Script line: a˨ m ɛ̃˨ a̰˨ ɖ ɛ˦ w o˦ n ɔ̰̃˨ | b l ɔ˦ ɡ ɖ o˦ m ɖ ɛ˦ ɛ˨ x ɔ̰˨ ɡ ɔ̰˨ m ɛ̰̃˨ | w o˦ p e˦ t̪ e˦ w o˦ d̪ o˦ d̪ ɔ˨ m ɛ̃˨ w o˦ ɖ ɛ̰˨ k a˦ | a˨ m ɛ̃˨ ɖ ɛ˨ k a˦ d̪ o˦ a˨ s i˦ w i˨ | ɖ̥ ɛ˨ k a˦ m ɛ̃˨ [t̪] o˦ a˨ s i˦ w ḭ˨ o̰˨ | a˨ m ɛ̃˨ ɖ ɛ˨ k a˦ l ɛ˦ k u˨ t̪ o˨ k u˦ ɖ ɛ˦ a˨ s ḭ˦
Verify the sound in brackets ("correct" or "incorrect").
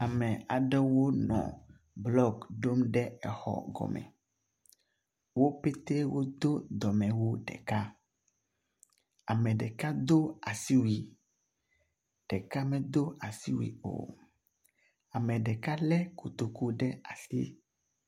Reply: incorrect